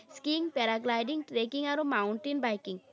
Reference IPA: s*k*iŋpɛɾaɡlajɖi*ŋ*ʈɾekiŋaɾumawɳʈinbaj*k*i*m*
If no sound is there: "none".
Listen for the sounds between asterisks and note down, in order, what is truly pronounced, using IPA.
k, ŋ, k, ŋ

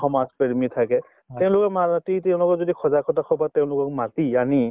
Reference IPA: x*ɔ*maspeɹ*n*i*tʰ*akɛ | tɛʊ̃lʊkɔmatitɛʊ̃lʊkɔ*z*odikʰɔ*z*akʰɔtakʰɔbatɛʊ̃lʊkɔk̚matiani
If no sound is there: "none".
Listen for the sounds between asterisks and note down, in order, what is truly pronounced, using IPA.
ɔ, m, tʰ, z, z

